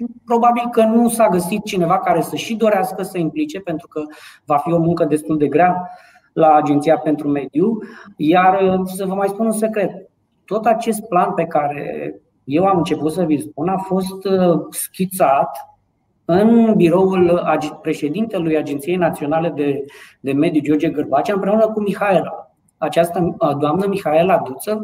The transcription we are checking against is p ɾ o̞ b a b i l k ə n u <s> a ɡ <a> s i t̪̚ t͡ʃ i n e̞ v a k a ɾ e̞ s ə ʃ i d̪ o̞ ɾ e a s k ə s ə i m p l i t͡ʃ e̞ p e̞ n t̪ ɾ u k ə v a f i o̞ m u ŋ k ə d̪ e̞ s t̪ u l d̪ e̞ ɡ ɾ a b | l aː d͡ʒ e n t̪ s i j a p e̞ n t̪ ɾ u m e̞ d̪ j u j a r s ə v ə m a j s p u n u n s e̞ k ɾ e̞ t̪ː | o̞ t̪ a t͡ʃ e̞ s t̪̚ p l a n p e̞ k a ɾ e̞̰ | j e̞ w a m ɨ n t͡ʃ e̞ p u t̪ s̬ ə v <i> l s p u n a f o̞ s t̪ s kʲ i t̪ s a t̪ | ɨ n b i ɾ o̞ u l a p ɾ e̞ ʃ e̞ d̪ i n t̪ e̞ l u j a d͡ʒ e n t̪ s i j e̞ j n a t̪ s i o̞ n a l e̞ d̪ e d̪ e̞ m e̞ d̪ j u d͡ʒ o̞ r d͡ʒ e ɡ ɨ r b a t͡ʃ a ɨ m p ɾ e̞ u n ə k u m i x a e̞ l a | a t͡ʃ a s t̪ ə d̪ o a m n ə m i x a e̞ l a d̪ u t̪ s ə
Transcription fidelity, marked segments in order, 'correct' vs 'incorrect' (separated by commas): correct, incorrect, correct